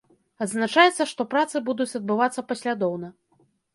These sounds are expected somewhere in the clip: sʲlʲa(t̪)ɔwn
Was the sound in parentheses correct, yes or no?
no